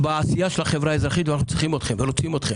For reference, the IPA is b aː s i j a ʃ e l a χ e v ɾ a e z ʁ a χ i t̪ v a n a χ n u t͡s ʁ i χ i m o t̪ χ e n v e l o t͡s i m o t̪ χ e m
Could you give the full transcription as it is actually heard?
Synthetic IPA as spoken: b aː s i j a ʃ e l a χ e v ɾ a e z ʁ a χ i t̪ v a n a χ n u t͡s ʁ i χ i m o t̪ χ e m v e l o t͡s i m o t̪ χ e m